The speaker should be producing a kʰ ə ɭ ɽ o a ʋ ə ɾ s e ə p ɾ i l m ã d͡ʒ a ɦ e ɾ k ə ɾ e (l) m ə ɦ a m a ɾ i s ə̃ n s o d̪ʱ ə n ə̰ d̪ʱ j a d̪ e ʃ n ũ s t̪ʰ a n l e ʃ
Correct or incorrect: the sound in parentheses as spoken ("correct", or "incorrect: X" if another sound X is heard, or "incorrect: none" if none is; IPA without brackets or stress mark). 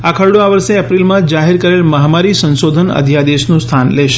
correct